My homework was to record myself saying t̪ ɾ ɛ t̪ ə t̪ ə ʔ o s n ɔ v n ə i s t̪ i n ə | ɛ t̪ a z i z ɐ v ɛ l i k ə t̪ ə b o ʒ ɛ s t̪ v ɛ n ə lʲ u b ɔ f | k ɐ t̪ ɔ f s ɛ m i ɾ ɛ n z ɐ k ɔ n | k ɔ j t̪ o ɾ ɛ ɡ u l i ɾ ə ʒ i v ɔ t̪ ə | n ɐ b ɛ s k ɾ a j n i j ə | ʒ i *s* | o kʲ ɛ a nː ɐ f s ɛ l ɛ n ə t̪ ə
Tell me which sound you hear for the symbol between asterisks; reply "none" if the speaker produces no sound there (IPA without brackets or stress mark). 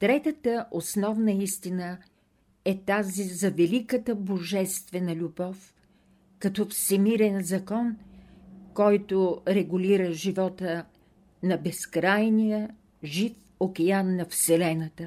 f